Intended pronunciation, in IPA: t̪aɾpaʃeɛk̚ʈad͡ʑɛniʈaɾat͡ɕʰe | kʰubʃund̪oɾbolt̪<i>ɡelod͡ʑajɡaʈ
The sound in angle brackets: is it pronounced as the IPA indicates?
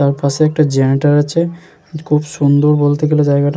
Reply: no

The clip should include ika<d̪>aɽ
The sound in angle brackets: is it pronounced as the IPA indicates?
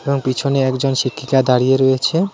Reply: yes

